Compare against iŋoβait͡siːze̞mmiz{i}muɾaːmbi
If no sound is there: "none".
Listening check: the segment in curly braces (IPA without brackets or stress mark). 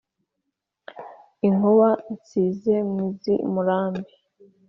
i